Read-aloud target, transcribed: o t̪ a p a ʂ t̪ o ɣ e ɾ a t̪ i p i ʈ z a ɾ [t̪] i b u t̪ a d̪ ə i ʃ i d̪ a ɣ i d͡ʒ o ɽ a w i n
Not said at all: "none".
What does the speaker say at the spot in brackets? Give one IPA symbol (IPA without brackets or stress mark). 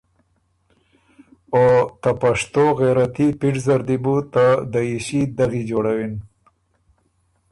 d̪